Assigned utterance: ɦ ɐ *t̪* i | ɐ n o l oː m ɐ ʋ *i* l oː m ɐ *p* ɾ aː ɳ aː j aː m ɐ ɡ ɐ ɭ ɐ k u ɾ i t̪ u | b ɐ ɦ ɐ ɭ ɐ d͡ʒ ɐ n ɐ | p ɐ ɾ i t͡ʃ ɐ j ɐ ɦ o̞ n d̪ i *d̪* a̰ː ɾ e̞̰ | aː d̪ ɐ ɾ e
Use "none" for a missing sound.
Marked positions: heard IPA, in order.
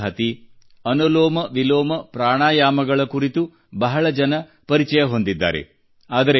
t̪, i, p, d̪ː

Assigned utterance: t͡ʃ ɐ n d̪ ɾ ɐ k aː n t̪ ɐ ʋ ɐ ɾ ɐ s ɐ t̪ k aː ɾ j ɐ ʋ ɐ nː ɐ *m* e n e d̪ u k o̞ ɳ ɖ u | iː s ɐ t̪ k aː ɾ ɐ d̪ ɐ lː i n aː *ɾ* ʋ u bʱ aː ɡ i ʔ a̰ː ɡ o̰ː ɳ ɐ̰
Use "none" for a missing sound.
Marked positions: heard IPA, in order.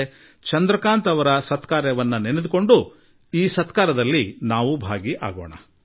n, none

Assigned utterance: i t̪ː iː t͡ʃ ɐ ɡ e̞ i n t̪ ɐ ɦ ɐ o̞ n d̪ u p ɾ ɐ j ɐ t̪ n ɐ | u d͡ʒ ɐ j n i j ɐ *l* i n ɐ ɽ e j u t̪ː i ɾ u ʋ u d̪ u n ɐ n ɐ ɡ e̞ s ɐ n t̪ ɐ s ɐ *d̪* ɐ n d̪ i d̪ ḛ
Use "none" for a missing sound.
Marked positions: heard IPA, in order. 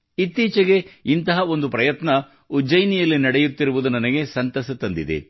lː, t̪

